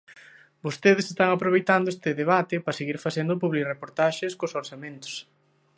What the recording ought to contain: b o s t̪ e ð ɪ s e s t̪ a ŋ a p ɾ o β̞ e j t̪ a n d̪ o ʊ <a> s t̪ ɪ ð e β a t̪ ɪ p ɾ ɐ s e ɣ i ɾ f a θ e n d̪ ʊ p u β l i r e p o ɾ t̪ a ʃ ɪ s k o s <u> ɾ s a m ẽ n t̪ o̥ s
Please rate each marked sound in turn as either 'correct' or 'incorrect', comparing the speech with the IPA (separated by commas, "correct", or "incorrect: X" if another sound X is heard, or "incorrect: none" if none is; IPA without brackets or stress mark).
incorrect: e, incorrect: o